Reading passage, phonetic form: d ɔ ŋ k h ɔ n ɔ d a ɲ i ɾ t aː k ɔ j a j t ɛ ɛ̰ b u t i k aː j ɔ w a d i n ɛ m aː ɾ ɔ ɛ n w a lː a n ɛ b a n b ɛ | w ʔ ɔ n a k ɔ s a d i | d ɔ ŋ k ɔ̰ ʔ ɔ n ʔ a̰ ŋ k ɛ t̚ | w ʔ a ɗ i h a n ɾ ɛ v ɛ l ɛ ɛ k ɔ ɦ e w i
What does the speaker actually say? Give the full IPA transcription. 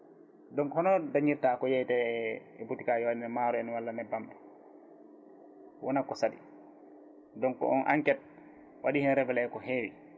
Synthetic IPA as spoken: d ɔ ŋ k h ɔ n ɔ d a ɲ i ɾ t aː k ɔ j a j t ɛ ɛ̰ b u t i k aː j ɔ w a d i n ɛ m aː ɾ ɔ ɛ n w a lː a n ɛ b a m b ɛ | w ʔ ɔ n a k ɔ s a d i | d ɔ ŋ k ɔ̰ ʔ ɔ n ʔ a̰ ŋ k ɛ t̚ | w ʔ a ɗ i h ɛ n ɾ ɛ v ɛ l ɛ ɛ k ɔ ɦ e w i